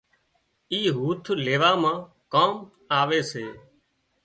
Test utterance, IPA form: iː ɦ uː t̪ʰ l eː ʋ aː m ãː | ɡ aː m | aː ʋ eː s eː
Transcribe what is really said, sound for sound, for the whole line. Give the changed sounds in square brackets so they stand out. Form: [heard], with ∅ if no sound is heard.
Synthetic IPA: iː ɦ uː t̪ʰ l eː ʋ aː m ãː | [k] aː m | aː ʋ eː s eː